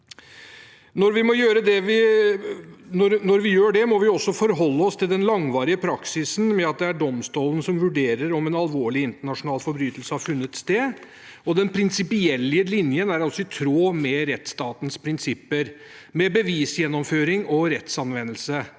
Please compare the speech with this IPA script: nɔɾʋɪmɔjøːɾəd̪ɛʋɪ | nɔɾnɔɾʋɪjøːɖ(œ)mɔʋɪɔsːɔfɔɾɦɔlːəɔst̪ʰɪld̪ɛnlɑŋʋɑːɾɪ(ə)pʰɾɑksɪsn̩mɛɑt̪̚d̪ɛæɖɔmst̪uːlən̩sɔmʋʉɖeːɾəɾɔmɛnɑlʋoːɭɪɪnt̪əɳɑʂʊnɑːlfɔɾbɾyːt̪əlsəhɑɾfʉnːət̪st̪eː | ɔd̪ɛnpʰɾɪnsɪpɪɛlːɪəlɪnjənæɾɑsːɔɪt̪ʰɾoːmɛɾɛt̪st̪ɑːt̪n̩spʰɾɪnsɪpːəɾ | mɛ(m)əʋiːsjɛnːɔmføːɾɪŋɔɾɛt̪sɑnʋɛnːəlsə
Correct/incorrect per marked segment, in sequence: incorrect, correct, incorrect

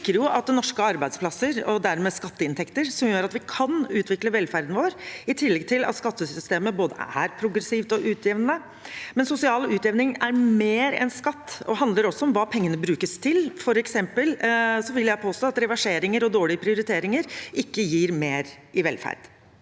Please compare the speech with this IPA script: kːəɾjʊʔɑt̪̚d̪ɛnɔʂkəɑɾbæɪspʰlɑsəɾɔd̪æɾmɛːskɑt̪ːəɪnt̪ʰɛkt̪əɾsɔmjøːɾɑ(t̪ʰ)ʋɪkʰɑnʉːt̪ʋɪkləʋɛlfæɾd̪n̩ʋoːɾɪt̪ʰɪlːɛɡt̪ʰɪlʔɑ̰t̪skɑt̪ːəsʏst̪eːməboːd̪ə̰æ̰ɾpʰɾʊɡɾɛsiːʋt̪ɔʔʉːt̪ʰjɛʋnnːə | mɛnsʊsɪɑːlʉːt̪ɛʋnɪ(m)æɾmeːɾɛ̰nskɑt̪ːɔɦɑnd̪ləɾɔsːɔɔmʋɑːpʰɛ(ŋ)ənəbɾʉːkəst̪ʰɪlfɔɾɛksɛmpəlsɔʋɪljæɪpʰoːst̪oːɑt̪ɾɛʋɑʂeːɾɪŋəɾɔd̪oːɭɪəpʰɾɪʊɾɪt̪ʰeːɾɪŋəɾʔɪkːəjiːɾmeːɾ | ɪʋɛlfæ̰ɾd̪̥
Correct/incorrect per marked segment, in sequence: incorrect, incorrect, incorrect

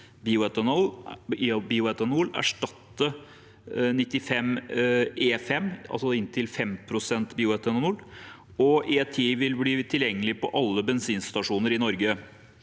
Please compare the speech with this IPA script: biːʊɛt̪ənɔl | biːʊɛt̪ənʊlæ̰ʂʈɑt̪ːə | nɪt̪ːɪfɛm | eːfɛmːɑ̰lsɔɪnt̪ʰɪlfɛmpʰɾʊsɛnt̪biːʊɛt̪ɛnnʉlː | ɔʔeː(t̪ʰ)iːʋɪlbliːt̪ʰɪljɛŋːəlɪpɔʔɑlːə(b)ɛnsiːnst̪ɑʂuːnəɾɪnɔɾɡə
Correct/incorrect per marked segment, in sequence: correct, correct

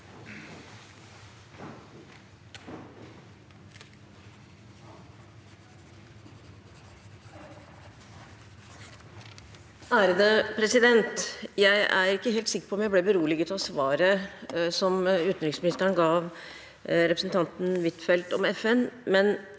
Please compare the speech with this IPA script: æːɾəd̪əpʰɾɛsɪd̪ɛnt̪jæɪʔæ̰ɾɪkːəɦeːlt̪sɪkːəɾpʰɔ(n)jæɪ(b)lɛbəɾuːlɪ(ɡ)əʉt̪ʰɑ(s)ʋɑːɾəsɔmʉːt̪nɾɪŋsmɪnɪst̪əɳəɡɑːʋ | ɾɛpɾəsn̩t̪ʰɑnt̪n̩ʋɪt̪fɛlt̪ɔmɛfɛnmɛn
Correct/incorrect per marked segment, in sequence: incorrect, correct, correct, correct

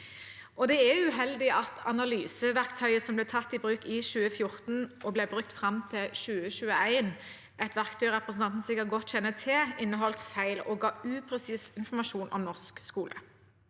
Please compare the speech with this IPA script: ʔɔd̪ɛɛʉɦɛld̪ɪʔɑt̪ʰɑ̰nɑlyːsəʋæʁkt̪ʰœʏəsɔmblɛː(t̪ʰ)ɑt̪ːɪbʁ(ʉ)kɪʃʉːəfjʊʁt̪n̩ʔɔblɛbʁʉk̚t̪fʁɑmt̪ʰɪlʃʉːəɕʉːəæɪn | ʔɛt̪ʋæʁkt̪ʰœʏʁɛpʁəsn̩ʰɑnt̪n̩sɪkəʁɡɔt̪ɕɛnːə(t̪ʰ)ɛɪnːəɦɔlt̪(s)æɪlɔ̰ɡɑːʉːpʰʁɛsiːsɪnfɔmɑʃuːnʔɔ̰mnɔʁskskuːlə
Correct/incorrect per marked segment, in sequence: correct, incorrect, correct, incorrect

